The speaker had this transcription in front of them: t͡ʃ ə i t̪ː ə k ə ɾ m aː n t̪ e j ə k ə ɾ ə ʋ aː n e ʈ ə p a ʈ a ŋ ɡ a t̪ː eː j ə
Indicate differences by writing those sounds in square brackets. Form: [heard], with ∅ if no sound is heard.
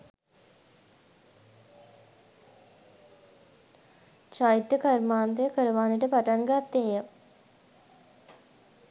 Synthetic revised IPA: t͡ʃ [a] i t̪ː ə k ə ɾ m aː n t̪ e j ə k ə ɾ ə ʋ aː n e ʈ ə p a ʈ a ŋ ɡ a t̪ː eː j ə